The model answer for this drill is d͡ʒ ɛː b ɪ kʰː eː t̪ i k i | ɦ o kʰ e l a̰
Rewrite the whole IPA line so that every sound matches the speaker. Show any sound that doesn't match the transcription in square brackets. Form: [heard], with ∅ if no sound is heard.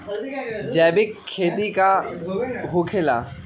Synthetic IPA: d͡ʒ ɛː b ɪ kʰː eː t̪ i k [a] | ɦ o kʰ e l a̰